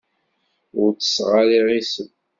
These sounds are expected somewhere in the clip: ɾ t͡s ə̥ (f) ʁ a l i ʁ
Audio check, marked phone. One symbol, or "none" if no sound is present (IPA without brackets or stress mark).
s